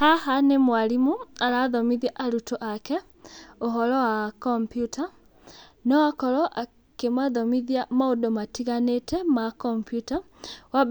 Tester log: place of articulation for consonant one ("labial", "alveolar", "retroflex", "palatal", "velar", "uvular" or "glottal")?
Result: glottal